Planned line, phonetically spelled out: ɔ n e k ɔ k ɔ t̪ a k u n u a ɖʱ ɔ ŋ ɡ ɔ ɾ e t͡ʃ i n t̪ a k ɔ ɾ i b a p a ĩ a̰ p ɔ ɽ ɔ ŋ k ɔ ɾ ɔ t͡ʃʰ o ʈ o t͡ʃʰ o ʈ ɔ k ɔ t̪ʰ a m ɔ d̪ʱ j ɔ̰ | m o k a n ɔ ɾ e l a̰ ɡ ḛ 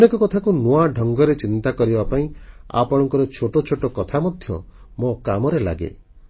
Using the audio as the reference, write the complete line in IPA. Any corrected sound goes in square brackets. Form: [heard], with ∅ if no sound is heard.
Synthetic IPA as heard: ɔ n e k ɔ k ɔ [t̪ʰ] a k u n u a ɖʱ ɔ ŋ ɡ ɔ ɾ e t͡ʃ i n t̪ a k ɔ ɾ i b a p a ĩ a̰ p ɔ ɽ ɔ ŋ k ɔ ɾ ɔ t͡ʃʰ o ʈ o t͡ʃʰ o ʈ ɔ k ɔ t̪ʰ a m ɔ d̪ʱ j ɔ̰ | m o k a [m] ɔ ɾ e l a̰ ɡ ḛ